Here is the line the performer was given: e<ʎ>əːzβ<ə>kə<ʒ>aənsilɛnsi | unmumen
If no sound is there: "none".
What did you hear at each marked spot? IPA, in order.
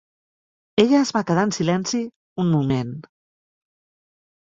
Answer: ʎ, a, ð

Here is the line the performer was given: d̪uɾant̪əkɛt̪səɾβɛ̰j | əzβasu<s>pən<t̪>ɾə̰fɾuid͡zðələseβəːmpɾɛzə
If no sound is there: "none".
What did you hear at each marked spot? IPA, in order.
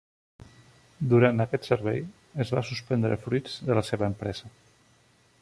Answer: s, d̪

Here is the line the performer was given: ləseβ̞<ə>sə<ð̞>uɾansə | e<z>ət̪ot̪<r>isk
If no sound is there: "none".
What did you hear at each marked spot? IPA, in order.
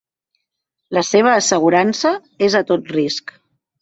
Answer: əː, ɣ̞, z, r

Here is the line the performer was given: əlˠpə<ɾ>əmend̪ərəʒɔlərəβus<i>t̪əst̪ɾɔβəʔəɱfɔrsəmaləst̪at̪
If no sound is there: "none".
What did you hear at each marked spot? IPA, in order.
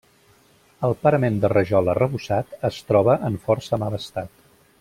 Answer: ɾ, a

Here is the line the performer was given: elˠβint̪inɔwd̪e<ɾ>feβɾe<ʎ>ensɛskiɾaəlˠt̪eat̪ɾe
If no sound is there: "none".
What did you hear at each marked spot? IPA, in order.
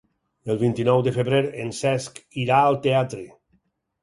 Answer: none, ɾ

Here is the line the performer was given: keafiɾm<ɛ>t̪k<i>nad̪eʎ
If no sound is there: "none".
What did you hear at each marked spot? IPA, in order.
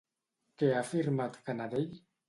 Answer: a, a

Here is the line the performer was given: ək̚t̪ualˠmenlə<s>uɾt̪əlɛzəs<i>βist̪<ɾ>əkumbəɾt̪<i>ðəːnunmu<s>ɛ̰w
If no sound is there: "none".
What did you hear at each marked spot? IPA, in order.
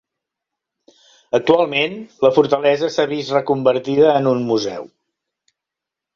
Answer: f, a, r, i, z

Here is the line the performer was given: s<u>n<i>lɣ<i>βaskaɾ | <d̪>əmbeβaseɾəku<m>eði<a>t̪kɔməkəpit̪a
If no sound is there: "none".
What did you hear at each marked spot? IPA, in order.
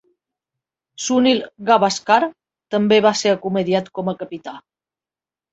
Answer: u, i, a, t̪, m, a

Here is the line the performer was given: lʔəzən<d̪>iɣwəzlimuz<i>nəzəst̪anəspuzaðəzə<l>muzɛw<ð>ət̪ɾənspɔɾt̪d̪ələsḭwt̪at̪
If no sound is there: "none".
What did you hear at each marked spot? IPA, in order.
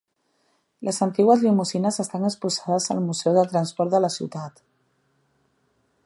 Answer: t̪, i, l, ð

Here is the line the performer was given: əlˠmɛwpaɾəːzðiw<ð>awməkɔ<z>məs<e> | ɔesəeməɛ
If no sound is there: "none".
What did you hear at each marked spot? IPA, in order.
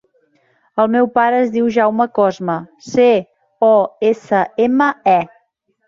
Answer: ʒ, z, e

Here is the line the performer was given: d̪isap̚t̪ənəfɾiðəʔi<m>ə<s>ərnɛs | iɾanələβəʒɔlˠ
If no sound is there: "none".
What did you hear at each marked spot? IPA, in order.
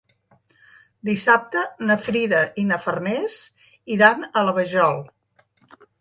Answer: n, f

